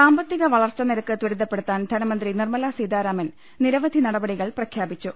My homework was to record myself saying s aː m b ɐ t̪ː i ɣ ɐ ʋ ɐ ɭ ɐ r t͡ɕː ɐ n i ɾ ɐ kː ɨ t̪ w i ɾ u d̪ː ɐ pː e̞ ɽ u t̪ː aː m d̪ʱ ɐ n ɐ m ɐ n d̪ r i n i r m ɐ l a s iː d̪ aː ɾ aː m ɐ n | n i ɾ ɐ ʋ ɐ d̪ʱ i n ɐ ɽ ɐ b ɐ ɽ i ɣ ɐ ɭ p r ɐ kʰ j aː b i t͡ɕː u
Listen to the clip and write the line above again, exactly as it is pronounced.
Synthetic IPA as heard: s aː m b ɐ t̪ː i ɣ ɐ ʋ ɐ ɭ ɐ r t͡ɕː ɐ n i ɾ ɐ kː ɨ t̪ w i ɾ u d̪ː ɐ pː e̞ ɽ u t̪ː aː n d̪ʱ ɐ n ɐ m ɐ n d̪ r i n i r m ɐ l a s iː d̪ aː ɾ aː m ɐ n | n i ɾ ɐ ʋ ɐ d̪ʱ i n ɐ ɽ ɐ b ɐ ɽ i ɣ ɐ ɭ p r ɐ kʰ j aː b i t͡ɕː u

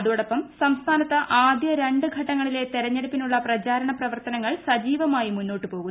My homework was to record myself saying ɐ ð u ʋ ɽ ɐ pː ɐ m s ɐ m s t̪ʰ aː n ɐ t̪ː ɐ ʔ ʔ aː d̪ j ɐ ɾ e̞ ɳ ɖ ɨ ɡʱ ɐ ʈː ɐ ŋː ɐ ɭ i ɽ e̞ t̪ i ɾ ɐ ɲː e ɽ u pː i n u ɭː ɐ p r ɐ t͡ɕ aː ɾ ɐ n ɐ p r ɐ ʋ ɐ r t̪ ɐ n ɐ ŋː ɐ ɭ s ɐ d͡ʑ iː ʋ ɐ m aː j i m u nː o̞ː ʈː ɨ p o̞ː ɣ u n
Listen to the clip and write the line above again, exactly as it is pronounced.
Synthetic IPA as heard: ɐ ð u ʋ ɽ ɐ pː ɐ m s ɐ m s t̪ʰ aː n ɐ t̪ː ɐ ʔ ʔ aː d̪ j ɐ ɾ e̞ ɳ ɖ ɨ ɡʱ ɐ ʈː ɐ ŋː ɐ ɭ i l e̞ t̪ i ɾ ɐ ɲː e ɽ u pː i n u ɭː ɐ p r ɐ t͡ɕ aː ɾ ɐ ɳ ɐ p r ɐ ʋ ɐ r t̪ ɐ n ɐ ŋː ɐ ɭ s ɐ d͡ʑ iː ʋ ɐ m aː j i m u nː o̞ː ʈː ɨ p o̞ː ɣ u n

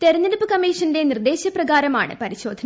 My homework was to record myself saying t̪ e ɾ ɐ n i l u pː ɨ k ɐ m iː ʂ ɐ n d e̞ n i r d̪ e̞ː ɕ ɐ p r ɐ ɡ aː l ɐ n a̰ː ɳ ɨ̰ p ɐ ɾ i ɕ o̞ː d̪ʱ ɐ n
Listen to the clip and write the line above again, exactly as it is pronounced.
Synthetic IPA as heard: t̪ e ɾ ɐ n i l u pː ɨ k ɐ m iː ʂ ɐ n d e̞ n i r d̪ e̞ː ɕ ɐ p r ɐ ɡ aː ɾ ɐ m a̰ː ɳ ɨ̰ p ɐ ɾ i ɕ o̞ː d̪ʱ ɐ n

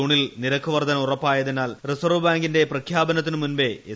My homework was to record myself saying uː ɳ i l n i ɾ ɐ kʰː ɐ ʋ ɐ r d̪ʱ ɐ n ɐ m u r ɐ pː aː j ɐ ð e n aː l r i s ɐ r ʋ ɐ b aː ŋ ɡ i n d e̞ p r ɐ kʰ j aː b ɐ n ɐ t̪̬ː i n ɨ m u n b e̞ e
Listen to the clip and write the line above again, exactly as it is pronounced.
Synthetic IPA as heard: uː ɳ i l n i ɾ ɐ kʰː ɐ ʋ ɐ r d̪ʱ ɐ n ɐ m u r ɐ pː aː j ɐ ð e n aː l r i s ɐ r ʋ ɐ b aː ŋ ɡ i n d e̞ p r ɐ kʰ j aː b ɐ n ɐ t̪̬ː i n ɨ m u n b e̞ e

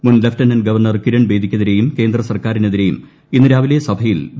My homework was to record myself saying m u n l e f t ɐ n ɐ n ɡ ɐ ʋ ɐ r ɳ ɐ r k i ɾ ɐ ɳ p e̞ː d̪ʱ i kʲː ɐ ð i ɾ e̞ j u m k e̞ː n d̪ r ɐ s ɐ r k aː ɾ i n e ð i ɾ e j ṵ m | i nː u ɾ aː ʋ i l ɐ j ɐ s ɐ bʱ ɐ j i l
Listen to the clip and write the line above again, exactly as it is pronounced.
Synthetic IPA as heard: m u n l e f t ɐ n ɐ n ɡ ɐ ʋ ɐ r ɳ ɐ r k i ɾ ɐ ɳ b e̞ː d̪ʱ i kʲː ɐ ð i ɾ e̞ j u m k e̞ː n d̪ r ɐ s ɐ r k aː ɾ i n e ð i ɾ e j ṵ m | i nː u ɾ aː ʋ i l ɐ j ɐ s ɐ bʱ ɐ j i l

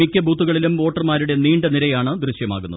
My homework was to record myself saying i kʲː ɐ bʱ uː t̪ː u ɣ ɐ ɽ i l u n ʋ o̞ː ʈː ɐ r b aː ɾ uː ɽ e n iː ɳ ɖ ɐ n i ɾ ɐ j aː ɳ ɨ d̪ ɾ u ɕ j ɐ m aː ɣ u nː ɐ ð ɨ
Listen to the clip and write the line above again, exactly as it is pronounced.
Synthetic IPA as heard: i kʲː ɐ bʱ uː t̪ː u ɣ ɐ ɭ i l u m ʋ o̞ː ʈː ɐ r m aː ɾ u ɽ e n iː ɳ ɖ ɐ n i ɾ ɐ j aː ɳ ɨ d̪ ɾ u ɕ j ɐ m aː ɣ u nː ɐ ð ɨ

